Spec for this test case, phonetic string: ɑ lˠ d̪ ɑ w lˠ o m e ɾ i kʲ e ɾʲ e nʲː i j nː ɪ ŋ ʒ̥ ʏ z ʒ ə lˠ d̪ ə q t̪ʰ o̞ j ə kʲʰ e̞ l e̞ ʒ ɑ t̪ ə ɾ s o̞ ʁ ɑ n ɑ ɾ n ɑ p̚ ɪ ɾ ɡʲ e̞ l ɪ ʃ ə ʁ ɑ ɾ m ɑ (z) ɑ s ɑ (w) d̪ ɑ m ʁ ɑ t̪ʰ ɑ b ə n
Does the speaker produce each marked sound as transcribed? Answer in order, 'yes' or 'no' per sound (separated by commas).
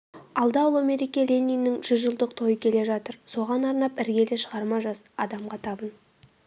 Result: no, no